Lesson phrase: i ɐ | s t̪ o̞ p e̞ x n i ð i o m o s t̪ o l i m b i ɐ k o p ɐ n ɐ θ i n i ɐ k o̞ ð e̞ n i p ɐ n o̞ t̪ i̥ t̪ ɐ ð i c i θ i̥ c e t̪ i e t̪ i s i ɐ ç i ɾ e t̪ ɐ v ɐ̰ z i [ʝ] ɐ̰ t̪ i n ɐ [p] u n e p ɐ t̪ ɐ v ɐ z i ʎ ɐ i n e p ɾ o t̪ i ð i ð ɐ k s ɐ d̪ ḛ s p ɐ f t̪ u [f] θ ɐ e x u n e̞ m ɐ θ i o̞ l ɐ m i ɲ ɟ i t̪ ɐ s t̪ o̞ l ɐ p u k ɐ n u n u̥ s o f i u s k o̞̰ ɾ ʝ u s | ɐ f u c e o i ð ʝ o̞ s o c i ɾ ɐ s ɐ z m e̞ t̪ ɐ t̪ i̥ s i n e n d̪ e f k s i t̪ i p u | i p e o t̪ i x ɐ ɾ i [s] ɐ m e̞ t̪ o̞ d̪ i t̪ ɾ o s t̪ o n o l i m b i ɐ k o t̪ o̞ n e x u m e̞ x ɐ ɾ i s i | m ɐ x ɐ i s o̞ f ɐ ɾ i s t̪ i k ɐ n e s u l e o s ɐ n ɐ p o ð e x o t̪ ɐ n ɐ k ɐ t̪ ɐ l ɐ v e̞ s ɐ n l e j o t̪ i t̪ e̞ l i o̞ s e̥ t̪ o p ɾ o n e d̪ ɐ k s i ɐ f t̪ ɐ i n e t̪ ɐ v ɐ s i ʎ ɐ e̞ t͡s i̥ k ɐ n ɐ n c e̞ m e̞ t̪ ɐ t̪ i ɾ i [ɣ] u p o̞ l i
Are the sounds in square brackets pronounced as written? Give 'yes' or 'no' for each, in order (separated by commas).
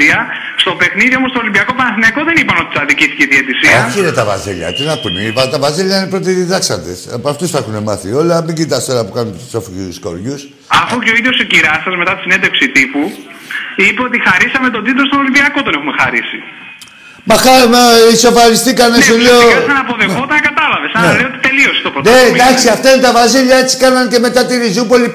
no, yes, no, yes, no